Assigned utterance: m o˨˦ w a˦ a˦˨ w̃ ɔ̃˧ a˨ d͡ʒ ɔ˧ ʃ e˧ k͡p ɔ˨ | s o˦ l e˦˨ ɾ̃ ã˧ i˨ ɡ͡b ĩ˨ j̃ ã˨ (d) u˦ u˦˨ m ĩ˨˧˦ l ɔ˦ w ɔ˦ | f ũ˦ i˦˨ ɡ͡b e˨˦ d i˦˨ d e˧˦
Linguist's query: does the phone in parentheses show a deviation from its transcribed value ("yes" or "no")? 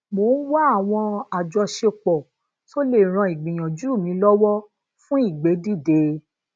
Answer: yes